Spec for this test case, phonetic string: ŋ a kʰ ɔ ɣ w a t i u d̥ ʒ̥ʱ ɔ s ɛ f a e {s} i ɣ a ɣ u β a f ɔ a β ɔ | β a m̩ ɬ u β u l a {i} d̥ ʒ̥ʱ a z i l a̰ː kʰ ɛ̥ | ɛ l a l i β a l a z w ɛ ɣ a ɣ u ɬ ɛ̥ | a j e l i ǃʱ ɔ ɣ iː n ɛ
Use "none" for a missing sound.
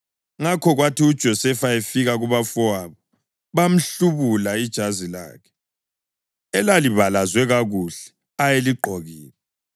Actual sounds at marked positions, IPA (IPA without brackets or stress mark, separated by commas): f, i